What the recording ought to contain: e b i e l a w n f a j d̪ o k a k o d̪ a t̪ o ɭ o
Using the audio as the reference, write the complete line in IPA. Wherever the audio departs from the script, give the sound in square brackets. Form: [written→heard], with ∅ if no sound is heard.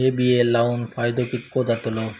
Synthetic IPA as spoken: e b i e l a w n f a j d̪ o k [a→i] k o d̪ a t̪ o [ɭ→l] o